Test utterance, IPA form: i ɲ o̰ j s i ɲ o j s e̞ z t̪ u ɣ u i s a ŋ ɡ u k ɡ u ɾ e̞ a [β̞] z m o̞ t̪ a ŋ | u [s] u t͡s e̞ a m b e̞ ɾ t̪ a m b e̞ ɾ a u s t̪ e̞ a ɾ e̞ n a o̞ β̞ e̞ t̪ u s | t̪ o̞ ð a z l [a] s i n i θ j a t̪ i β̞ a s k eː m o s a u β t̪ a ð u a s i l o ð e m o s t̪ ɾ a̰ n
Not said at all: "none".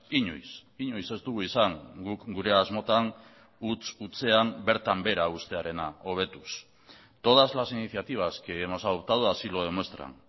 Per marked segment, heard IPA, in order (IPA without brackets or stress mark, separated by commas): none, t͡s, a